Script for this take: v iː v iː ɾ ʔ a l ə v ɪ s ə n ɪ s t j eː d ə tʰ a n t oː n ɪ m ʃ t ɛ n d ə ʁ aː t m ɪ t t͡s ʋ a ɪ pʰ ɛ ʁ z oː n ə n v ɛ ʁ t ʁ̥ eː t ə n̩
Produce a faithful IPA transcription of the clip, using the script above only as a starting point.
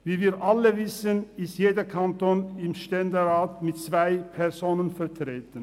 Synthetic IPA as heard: v iː v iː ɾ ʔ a l ə v ɪ s ə n ɪ s t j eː d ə kʰ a n t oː n ɪ m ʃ t ɛ n d ə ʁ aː t m ɪ t t͡s v a ɪ pʰ ɛ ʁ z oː n ə n f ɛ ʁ t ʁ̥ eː t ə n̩

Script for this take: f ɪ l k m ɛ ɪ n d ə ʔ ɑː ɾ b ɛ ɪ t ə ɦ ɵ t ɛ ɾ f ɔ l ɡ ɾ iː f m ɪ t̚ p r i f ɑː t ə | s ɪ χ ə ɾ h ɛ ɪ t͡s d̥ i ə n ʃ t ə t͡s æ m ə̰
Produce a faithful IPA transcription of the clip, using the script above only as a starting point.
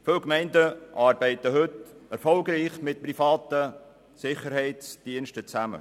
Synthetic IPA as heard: f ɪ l k m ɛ ɪ n d ə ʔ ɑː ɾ b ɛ ɪ t ə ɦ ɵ t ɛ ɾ f ɔ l ɡ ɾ iː χ m ɪ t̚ p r i f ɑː t ə | s ɪ χ ə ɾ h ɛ ɪ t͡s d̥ i ə n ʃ t ə t͡s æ m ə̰

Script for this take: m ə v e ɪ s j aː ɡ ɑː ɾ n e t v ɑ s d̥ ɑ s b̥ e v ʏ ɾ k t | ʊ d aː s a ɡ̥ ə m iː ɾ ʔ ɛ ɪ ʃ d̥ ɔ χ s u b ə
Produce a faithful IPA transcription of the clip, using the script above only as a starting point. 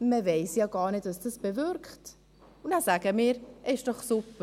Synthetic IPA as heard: m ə v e ɪ s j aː ɡ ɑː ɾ n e t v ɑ s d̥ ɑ s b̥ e v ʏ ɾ k t | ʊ n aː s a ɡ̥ ə m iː ɾ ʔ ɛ ɪ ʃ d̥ ɔ χ s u p ə

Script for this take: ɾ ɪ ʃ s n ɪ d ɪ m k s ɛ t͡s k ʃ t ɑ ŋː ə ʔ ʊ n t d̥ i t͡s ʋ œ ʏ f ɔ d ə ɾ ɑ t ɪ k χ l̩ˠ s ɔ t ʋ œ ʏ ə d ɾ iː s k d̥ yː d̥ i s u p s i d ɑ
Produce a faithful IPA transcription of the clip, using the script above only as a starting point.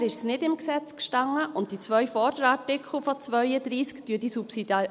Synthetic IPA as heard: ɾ ɪ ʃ s n ɪ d ɪ m k s ɛ t͡s k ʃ t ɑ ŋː ə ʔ ʊ n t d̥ i t͡s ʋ œ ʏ f ɔ d ə ɾ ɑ t ɪ k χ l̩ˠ f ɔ t͡s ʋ œ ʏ ə d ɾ iː s k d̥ yː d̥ i s u p s i d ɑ

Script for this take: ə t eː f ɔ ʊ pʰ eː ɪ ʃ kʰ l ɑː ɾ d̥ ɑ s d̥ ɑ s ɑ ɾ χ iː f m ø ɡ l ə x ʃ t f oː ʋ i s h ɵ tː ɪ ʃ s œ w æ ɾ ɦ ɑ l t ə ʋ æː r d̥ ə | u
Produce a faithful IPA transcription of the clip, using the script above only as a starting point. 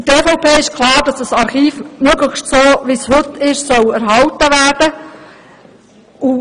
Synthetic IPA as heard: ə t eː f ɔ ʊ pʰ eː ɪ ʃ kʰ l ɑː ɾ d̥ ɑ s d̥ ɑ s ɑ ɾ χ iː f m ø ɡ l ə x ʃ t s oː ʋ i s h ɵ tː ɪ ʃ s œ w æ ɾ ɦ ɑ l t ə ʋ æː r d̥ ə | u

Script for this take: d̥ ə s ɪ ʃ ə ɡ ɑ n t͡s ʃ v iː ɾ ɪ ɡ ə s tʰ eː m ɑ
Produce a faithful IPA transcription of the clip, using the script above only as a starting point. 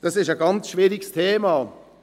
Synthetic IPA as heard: d̥ ɑ s ɪ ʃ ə ɡ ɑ n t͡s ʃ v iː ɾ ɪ ɡ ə s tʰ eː m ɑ

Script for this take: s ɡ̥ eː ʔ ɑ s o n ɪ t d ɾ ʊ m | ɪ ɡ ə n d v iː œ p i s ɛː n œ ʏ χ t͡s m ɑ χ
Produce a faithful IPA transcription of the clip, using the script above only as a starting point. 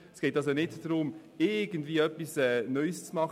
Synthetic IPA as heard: s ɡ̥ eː t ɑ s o n ɪ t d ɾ ʊ m | ɪ ɡ ə n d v iː œ p i s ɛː n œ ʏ s t͡s m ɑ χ

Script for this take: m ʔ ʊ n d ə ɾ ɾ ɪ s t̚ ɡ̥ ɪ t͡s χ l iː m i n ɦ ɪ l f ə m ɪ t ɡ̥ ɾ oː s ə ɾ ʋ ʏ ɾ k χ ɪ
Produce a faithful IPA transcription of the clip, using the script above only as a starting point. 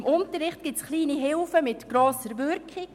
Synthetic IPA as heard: m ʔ ʊ n t ə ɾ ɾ ɪ χ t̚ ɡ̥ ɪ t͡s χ l iː n i ɦ ɪ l f ə m ɪ t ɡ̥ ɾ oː s ə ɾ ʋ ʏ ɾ k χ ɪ

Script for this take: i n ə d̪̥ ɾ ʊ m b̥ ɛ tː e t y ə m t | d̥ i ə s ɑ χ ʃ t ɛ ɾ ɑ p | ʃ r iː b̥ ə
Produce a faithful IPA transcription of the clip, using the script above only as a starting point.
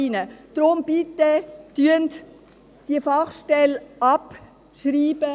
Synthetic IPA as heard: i n ə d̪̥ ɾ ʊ m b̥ i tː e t y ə n t | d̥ i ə f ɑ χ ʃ t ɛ l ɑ p | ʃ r iː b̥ ə

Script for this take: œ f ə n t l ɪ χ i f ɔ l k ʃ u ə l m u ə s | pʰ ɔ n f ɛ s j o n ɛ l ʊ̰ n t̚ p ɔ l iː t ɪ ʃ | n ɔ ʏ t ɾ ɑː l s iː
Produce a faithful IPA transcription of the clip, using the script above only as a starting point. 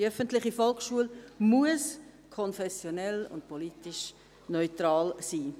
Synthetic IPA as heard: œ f ə n t l ɪ χ i f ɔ l k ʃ u ə l m u ə s | kʰ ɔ n f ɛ s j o n ɛ l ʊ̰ n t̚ p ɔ l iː t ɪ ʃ | n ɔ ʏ t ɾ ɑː l s iː

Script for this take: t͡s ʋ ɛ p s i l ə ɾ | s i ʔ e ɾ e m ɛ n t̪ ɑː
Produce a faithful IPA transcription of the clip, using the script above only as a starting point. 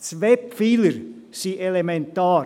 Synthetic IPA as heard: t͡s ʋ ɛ p f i l ə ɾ | s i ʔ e l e m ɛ n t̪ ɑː

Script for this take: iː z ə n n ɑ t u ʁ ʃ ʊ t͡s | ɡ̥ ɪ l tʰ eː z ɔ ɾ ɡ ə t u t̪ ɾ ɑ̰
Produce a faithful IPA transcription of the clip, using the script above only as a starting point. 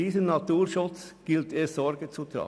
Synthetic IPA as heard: iː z ə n n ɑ t uː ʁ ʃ ʊ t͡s | ɡ̥ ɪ l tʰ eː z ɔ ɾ ɡ ə t͡s u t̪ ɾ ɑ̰

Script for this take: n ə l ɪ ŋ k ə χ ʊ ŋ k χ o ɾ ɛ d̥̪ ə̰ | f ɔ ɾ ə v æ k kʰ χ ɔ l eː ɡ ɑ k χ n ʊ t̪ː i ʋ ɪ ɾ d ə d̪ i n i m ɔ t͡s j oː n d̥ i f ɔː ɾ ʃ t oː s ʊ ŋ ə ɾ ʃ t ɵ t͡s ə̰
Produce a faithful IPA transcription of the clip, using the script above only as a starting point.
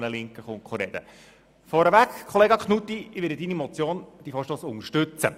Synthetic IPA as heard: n ə l ɪ ŋ k ə χ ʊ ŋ k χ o ɾ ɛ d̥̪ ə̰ | f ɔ ɾ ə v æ k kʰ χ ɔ l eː ɡ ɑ k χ n u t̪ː i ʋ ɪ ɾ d ə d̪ i n i m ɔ t͡s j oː n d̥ i f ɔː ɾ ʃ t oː s ʊ ŋ ə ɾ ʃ t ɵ t͡s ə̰

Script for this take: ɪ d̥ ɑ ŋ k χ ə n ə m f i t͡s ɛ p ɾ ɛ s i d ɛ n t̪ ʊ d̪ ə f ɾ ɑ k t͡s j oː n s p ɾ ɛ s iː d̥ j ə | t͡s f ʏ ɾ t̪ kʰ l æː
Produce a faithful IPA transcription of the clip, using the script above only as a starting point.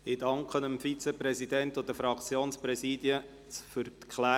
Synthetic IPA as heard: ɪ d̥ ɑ ŋ k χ ə n ə m f i t͡s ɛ p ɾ ɛ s i d ɛ n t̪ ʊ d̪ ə f ɾ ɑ k t͡s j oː n s p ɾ ɛ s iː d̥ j ə | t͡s f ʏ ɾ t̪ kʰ l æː

